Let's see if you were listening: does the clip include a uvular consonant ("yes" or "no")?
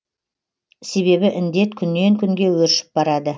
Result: no